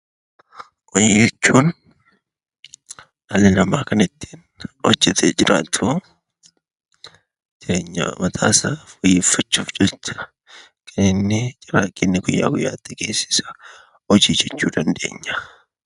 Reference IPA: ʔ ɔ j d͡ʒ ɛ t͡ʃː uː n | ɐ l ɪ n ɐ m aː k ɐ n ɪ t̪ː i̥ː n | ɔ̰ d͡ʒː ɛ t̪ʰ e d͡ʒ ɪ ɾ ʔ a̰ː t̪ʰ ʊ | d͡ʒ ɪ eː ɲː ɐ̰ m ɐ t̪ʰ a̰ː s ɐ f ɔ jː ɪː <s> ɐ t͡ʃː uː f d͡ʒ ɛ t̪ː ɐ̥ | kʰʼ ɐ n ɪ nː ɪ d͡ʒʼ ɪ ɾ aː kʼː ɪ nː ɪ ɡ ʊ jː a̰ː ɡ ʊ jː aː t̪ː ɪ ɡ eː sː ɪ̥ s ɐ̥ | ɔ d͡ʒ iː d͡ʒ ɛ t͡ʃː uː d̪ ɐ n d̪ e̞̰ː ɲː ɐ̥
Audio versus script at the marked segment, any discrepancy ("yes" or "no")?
yes